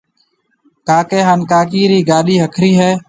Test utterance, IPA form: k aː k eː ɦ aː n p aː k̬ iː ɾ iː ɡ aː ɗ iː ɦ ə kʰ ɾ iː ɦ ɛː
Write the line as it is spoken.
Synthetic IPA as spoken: k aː k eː ɦ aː n k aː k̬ iː ɾ iː ɡ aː ɗ iː ɦ ə kʰ ɾ iː ɦ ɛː